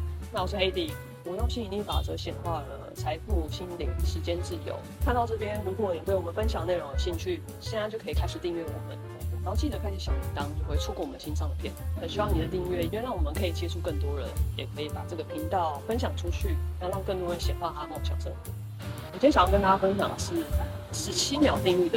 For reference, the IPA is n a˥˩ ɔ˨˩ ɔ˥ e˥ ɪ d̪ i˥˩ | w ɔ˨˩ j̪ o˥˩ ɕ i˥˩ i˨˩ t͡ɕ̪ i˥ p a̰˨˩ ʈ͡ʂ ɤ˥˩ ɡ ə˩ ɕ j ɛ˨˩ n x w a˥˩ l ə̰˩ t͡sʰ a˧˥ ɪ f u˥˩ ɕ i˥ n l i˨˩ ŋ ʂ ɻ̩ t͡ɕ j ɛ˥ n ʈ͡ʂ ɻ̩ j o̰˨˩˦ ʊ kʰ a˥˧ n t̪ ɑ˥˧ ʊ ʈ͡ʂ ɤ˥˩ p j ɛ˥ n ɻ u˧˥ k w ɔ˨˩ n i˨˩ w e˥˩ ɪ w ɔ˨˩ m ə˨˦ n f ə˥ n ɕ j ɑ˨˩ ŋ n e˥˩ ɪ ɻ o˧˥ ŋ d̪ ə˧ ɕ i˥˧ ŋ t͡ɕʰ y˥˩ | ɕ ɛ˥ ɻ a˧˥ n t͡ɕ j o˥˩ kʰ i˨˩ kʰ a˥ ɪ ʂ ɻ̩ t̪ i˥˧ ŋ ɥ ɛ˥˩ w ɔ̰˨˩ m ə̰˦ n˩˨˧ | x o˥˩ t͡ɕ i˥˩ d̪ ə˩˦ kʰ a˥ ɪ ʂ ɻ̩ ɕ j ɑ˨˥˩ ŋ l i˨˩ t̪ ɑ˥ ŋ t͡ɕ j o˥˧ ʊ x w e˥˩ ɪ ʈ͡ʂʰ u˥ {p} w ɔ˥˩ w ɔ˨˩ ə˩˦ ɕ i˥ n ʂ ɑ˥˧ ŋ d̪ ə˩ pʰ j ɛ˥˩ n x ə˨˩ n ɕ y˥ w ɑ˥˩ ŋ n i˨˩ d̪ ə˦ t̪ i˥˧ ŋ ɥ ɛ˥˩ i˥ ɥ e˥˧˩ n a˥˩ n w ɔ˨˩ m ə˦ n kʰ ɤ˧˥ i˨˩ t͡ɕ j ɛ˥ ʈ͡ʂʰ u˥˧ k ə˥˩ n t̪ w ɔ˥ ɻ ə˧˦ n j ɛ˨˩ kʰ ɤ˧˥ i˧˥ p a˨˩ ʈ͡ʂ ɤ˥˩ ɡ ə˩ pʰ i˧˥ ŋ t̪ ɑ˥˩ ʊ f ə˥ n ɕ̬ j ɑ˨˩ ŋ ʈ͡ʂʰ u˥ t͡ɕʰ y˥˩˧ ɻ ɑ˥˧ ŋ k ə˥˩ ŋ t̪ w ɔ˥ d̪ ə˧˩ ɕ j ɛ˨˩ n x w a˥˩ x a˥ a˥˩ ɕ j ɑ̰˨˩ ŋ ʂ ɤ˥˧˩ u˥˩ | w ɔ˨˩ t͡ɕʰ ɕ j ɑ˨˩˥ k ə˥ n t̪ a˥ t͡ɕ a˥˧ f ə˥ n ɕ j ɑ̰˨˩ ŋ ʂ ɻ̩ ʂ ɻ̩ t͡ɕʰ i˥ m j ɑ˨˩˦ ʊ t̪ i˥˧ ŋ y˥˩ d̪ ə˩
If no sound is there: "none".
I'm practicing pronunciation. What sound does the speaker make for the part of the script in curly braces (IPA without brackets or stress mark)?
k